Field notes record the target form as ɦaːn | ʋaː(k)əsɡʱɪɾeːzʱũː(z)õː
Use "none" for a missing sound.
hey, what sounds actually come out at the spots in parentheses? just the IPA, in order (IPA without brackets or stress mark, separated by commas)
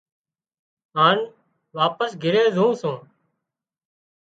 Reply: p, s